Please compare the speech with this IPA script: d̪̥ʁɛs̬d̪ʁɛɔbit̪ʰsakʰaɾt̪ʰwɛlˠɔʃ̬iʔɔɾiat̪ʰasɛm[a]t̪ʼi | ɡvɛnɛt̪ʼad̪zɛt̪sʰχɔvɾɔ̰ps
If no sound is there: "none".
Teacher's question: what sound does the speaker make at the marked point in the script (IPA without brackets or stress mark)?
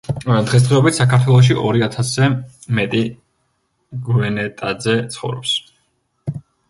ɛ